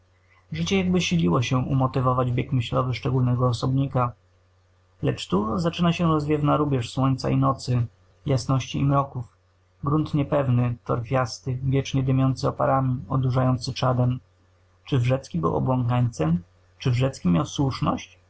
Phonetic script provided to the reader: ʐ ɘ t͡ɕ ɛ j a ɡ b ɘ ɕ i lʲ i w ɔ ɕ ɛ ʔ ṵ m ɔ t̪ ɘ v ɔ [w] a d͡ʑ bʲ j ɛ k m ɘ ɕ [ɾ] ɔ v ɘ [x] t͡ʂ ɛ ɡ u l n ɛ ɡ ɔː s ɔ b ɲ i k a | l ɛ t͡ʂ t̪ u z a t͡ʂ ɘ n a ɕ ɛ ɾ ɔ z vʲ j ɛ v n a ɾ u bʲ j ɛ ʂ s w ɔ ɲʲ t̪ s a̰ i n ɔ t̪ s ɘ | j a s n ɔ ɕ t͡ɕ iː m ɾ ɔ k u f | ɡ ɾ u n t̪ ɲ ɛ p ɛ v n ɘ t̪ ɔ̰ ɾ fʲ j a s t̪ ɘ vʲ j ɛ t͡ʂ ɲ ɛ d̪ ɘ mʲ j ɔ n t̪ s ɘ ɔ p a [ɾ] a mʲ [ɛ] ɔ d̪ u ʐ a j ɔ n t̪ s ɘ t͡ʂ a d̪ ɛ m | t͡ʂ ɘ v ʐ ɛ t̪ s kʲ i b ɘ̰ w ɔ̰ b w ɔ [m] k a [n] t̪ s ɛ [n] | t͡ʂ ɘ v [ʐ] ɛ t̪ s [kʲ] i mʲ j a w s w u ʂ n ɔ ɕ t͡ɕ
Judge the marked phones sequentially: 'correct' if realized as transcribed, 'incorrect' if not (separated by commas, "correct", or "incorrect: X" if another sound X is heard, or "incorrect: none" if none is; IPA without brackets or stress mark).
incorrect: v, incorrect: l, incorrect: ʂ, correct, incorrect: i, incorrect: ŋ, incorrect: ɲ, incorrect: m, correct, correct